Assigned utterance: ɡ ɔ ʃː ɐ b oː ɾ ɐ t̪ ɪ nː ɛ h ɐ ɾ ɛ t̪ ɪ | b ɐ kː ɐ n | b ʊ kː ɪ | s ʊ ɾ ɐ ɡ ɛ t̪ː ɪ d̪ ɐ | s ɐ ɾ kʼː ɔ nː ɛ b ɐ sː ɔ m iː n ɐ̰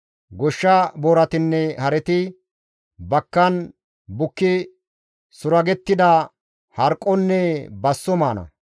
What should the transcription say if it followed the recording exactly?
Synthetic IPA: ɡ ɔ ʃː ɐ b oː ɾ ɐ t̪ ɪ nː ɛ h ɐ ɾ ɛ t̪ ɪ | b ɐ kː ɐ n | b ʊ kː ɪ | s ʊ ɾ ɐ ɡ ɛ t̪ː ɪ d̪ ɐ | h ɐ ɾ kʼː ɔ nː ɛ b ɐ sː ɔ m aː n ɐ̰